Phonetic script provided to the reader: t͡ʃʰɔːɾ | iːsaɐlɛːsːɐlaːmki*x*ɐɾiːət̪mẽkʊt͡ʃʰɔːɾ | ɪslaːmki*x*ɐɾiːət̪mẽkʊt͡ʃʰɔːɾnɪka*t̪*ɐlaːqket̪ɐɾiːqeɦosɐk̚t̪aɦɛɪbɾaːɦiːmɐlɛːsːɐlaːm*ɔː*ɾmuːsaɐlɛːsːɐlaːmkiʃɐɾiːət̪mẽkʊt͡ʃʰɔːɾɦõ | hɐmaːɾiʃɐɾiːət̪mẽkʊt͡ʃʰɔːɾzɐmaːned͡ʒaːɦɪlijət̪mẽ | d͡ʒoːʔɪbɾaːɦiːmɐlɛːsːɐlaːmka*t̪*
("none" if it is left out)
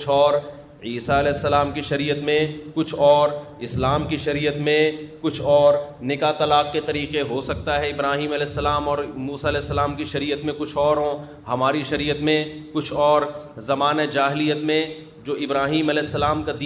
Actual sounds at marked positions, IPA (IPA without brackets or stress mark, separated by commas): ʃ, ʃ, t̪, ɔː, d̪